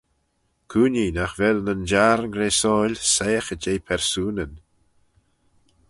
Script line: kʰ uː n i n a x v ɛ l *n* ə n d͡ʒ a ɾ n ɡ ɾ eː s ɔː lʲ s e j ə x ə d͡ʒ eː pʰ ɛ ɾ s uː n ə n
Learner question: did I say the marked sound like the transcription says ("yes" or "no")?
yes